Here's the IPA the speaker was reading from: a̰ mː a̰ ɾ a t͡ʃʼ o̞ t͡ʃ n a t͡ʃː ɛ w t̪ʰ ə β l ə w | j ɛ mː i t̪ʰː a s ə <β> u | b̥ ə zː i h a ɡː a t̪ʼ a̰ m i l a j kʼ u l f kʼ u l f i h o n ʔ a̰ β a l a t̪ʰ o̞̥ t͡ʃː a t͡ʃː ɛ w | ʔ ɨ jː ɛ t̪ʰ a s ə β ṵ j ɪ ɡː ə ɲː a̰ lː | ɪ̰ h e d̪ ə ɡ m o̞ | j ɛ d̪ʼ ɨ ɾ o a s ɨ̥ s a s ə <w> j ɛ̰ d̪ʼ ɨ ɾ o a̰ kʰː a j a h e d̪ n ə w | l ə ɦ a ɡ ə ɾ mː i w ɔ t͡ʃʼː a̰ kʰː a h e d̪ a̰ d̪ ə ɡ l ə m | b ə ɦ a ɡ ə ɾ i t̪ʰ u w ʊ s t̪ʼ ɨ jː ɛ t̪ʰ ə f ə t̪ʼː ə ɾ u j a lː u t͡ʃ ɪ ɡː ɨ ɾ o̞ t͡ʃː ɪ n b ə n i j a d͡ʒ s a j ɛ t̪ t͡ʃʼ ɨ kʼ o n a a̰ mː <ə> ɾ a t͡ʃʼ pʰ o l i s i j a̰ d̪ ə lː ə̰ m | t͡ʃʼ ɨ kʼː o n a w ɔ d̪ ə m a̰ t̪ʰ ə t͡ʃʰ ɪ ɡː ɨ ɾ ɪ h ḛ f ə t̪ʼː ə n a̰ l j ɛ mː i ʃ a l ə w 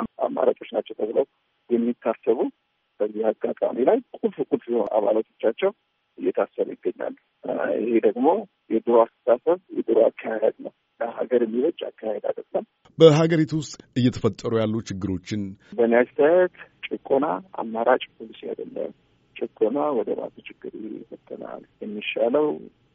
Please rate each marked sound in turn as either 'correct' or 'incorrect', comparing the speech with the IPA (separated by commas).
correct, incorrect, incorrect